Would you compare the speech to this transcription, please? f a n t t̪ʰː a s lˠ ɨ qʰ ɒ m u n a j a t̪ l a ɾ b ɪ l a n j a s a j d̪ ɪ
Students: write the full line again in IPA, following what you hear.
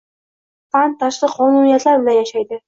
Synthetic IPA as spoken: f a n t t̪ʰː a ʃ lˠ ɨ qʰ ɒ n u n i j a t̪ l a ɾ b ɪ l a n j a ʃ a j d̪ ɪ